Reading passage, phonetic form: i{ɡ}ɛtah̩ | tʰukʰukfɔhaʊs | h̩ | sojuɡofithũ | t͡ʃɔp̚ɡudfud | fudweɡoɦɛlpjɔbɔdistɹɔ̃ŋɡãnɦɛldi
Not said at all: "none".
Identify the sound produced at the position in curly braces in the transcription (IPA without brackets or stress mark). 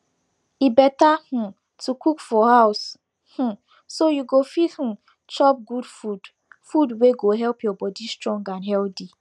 b